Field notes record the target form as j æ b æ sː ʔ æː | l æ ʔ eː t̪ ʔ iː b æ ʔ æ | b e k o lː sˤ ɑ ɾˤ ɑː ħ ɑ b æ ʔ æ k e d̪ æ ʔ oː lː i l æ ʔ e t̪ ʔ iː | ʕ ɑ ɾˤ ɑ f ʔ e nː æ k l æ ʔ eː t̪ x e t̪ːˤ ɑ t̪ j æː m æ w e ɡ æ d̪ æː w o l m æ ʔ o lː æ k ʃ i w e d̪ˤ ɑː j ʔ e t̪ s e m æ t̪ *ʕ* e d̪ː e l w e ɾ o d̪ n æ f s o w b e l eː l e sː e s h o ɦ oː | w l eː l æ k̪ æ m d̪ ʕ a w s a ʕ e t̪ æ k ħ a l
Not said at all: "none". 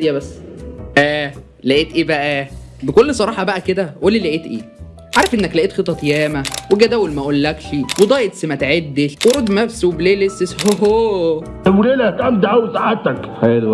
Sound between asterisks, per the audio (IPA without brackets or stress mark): ʕ